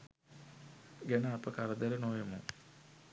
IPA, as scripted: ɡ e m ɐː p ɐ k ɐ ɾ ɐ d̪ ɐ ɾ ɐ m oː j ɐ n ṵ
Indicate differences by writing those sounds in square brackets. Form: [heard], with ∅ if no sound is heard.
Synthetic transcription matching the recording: ɡ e [n] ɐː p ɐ k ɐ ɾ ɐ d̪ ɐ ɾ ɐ [n] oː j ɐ [m] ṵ